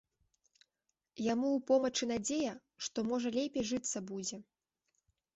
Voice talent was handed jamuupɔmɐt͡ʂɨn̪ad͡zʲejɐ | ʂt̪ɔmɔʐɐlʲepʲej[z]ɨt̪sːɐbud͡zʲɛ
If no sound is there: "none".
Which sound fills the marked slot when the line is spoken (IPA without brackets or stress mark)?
ʐ